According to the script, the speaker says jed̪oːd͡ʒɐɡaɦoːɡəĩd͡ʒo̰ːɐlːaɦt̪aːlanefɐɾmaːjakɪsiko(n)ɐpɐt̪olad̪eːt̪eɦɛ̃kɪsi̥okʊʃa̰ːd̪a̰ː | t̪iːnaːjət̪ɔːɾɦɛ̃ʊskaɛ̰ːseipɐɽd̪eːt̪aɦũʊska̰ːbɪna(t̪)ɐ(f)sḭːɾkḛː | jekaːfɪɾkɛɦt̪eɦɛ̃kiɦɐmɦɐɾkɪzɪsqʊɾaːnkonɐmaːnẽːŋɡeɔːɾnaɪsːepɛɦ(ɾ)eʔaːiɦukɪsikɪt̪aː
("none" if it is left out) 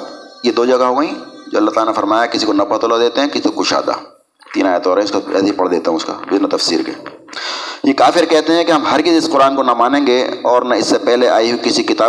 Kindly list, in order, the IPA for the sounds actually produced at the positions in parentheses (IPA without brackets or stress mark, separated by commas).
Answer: n, t̪, f, l